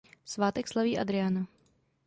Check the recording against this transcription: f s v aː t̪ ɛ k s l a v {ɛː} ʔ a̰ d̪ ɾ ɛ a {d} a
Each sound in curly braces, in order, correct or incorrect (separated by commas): incorrect, incorrect